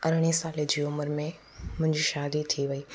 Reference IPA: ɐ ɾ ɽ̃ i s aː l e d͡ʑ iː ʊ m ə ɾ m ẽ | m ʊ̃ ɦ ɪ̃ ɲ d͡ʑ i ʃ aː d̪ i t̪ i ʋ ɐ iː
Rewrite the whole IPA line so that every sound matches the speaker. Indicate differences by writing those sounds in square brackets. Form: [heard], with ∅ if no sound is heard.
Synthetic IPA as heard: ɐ ɾ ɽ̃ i s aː l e d͡ʑ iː ʊ m ə ɾ m ẽ | m ʊ̃ ɦ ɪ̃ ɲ d͡ʑ i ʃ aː d̪ i [t̪ʰ] i ʋ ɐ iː